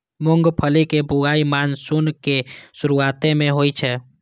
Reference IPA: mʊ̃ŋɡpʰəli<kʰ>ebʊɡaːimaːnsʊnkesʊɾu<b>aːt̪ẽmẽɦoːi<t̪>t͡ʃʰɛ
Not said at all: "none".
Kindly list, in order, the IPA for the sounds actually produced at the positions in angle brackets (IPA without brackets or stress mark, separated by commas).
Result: k, none, none